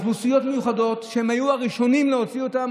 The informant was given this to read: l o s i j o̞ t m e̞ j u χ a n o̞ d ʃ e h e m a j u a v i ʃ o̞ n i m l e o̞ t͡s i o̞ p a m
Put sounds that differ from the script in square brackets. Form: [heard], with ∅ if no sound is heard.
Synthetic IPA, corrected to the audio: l [u] s i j o̞ t m e̞ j u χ a [d] o̞ [t] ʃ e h e m a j u a [ʁ] i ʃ o̞ n i m l e o̞ t͡s i o̞ [t] a m